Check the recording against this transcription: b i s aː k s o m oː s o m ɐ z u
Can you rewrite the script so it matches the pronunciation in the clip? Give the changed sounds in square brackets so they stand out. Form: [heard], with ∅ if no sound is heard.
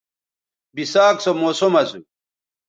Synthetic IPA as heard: b i s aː k s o m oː s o m ɐ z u

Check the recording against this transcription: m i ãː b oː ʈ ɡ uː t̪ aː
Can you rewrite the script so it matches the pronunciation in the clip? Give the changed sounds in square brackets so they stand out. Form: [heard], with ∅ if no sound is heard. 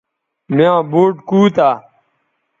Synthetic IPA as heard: m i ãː b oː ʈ [k] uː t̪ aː

